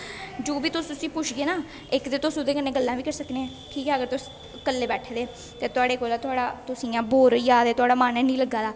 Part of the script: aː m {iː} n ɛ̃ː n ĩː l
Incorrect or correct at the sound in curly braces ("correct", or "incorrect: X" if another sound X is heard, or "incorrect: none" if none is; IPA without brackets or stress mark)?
incorrect: aː